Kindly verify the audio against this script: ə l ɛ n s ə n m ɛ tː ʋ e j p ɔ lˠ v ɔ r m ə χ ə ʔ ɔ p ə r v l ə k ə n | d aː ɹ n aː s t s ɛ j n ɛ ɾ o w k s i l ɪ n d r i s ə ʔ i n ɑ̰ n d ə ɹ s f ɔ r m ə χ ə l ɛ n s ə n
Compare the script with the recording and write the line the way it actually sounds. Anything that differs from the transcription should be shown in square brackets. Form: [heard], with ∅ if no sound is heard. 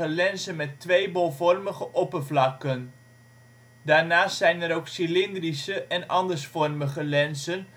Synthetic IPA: ə l ɛ n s ə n m ɛ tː ʋ e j [b] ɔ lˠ v ɔ r m ə χ ə ʔ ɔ p ə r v l [ɑ] k ə n | d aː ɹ n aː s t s ɛ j n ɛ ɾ o w k s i l ɪ n d r i s ə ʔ [ɛ] n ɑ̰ n d ə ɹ s f ɔ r m ə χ ə l ɛ n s ə n